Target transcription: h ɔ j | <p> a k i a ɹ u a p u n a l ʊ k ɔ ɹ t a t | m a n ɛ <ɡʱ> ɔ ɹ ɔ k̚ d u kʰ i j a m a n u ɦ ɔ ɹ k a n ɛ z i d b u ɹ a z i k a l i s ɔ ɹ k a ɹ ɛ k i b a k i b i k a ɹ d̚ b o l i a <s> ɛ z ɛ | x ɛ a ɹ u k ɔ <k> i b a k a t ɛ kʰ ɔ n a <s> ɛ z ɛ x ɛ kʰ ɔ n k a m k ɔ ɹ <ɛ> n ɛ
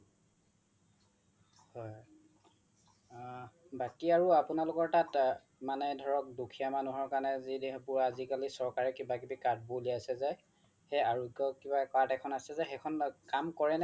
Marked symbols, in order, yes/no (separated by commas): no, no, yes, yes, yes, yes